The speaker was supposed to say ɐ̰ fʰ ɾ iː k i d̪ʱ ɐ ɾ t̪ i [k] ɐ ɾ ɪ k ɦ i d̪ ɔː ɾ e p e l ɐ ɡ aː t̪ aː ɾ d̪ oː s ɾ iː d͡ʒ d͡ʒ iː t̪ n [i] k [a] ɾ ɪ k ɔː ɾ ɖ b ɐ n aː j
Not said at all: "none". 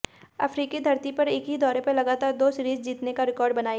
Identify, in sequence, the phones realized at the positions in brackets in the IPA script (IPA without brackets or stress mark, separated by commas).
p, e, a